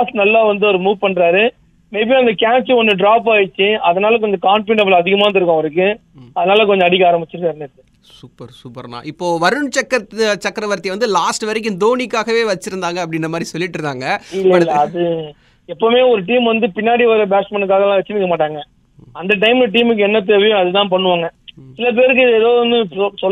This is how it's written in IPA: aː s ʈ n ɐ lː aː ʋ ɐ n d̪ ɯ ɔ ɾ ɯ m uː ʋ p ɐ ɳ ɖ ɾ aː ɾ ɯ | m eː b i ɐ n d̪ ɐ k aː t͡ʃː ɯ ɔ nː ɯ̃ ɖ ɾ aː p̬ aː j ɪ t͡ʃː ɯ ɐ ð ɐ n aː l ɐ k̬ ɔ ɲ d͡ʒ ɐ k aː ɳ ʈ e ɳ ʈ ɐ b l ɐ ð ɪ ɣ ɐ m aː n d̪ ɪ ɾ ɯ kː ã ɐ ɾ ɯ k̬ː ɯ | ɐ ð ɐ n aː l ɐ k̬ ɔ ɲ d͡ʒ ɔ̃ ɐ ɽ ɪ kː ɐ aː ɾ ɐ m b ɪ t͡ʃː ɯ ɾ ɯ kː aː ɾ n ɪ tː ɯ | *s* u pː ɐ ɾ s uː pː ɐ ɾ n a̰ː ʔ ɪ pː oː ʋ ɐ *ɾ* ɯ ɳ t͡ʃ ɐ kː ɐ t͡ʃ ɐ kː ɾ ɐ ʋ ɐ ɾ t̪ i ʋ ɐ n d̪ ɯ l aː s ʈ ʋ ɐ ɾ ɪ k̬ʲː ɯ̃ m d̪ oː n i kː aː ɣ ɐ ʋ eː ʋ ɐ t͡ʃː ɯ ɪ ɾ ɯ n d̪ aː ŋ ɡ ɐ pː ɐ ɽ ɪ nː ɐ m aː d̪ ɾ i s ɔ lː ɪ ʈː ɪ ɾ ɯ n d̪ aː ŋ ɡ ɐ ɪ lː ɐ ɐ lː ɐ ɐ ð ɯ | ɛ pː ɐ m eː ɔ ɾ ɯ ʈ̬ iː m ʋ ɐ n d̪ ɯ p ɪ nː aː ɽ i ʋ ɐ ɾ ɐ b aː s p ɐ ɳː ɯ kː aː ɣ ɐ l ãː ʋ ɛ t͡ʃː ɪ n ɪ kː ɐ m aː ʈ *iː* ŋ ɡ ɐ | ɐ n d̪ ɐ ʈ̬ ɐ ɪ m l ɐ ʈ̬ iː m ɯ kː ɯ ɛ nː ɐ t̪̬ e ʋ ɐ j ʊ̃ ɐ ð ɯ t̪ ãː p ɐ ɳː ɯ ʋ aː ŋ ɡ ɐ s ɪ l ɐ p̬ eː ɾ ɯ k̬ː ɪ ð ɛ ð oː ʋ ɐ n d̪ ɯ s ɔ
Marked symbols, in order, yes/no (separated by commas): yes, yes, no